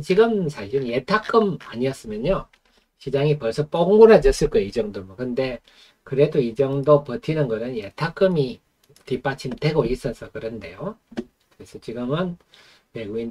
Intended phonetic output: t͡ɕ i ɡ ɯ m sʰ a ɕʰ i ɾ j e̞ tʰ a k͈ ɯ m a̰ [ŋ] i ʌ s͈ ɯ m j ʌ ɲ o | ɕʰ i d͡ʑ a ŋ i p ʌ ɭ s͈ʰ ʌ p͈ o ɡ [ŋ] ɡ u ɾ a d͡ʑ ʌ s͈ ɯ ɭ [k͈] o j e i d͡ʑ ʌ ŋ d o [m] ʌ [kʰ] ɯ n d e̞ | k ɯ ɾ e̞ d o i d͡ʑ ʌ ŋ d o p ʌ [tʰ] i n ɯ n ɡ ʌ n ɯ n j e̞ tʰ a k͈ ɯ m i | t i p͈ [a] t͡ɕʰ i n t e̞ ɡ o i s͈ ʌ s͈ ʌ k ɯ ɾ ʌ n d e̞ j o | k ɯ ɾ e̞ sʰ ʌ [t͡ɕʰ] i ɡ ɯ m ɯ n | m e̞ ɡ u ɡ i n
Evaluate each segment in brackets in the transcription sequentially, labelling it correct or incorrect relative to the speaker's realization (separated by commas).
incorrect, correct, correct, correct, incorrect, correct, correct, incorrect